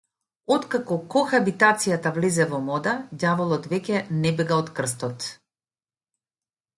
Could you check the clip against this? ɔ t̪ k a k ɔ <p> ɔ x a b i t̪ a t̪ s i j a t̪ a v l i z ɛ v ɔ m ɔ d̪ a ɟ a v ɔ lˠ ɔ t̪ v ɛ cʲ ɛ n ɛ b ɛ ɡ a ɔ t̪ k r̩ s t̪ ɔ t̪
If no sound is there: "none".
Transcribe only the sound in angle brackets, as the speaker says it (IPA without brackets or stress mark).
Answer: k